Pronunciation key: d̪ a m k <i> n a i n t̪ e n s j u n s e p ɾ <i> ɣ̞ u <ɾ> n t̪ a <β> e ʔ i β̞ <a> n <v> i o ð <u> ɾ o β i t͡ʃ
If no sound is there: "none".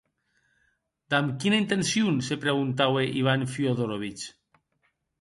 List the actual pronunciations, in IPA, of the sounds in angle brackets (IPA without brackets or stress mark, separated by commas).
i, e, none, w, a, f, o